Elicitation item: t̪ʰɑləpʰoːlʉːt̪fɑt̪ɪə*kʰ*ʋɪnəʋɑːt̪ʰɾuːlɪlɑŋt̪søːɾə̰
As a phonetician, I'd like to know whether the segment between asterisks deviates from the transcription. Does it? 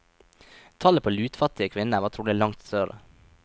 no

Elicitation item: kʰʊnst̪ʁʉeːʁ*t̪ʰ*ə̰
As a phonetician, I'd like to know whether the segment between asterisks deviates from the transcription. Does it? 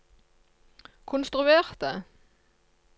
yes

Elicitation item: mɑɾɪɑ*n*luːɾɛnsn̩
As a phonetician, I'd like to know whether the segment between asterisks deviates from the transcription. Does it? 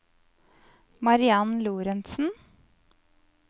no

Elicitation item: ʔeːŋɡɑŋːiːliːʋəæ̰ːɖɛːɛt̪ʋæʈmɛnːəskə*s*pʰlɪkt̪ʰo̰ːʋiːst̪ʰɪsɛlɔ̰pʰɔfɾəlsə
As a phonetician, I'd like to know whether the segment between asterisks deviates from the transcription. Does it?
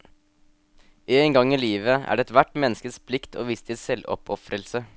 no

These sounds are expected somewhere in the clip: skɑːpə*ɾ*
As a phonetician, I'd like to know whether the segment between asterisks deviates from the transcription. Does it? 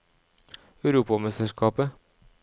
yes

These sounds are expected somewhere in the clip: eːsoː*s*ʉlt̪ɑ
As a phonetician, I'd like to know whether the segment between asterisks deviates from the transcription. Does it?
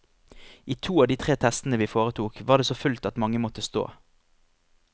yes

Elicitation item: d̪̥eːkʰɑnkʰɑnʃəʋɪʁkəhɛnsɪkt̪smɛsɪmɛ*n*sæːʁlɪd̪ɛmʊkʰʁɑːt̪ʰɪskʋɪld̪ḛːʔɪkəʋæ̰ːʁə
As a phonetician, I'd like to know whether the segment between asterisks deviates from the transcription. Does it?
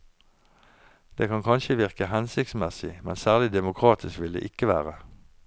no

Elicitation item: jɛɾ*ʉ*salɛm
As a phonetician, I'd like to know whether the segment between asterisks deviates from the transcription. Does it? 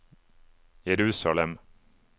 yes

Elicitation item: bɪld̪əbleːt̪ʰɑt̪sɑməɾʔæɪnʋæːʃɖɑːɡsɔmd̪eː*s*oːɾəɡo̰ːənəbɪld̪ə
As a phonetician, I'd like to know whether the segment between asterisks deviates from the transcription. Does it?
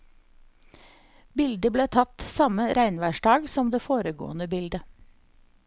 yes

